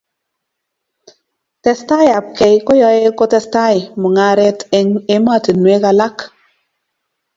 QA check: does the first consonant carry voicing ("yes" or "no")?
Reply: no